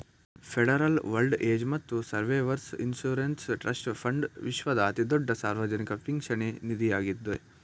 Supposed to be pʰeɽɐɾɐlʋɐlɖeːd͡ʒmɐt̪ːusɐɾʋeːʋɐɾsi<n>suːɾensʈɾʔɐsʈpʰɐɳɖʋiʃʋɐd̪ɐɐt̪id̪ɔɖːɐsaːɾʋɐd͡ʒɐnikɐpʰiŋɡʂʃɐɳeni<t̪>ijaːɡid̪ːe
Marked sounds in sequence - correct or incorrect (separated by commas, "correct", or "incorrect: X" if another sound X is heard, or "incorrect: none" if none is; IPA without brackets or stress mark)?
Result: correct, incorrect: d̪